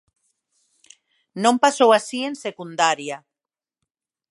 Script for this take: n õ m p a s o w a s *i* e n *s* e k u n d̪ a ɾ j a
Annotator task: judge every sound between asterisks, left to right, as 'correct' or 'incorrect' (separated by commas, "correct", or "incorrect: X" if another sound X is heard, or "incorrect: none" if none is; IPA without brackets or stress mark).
correct, correct